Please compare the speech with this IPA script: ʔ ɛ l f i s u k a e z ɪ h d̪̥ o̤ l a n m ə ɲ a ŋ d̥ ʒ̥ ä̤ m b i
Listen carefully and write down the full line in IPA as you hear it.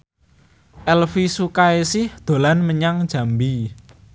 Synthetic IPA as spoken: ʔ ɛ l f i s u k a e s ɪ h d̪̥ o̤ l a n m ə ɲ a ŋ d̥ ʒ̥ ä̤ m b i